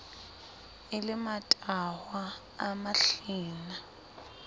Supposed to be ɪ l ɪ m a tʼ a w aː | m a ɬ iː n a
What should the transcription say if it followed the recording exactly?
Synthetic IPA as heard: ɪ l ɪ m a tʼ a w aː | m a ɬ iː n a